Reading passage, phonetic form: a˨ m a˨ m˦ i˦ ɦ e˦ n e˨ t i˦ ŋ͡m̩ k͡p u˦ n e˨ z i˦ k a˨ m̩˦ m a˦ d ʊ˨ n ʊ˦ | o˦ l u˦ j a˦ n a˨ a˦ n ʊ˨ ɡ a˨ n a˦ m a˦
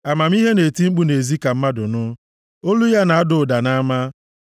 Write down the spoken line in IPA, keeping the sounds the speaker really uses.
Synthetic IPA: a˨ m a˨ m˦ i˦ ɦ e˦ n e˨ t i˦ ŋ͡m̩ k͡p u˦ n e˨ z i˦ k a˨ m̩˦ m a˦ d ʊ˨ n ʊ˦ | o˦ l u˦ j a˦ n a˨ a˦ d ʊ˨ d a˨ n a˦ m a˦